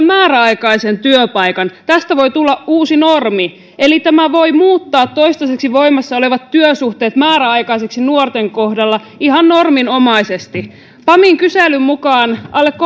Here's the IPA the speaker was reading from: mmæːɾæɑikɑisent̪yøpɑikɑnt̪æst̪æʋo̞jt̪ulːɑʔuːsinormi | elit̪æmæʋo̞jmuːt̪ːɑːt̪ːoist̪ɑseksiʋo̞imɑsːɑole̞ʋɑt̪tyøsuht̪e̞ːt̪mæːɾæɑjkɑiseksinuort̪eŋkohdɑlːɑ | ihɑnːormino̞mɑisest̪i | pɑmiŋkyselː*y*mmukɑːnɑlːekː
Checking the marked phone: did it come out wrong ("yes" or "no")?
no